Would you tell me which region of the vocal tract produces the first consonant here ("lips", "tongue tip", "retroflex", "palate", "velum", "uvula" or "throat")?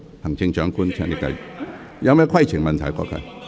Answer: throat